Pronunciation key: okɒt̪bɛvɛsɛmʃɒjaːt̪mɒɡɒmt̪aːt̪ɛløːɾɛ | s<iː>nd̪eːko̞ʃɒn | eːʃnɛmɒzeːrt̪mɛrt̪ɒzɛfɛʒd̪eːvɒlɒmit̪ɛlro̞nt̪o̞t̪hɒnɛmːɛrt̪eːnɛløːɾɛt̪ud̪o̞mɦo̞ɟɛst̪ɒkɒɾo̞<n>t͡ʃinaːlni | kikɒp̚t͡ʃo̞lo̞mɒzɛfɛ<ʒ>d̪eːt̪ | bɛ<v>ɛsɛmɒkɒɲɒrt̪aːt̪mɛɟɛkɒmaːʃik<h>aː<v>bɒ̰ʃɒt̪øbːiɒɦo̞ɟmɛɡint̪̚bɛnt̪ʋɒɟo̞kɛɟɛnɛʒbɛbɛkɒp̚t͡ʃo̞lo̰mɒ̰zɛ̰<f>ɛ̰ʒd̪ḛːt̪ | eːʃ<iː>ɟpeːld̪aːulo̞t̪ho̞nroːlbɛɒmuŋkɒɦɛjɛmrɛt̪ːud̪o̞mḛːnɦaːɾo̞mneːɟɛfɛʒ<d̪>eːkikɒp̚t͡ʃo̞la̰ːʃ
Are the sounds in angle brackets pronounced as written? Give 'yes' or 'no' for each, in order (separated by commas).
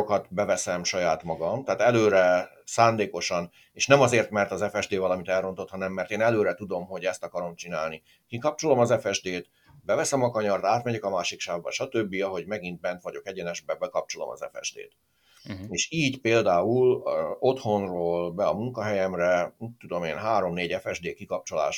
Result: no, no, yes, yes, no, yes, yes, yes, yes